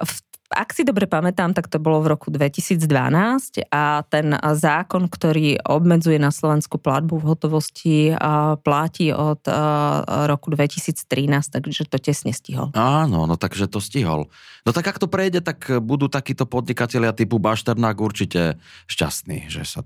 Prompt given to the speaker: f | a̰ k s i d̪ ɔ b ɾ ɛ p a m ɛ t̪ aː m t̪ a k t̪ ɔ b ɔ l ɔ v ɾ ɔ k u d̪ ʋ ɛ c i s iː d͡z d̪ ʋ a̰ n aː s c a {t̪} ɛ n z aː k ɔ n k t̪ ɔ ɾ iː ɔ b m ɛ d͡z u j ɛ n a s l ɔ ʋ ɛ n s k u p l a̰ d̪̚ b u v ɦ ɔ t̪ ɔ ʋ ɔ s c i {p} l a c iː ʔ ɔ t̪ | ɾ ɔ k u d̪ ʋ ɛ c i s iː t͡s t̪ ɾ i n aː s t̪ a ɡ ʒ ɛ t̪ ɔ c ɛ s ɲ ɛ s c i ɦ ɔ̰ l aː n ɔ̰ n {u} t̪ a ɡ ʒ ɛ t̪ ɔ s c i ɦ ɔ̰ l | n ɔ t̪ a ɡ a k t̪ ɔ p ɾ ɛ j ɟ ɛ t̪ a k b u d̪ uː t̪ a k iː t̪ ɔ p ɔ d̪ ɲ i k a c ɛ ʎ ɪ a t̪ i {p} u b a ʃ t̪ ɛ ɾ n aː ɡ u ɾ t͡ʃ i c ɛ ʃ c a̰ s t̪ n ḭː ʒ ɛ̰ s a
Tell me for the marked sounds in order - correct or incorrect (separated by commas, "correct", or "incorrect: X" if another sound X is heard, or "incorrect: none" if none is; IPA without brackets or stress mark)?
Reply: correct, correct, incorrect: ɔ, correct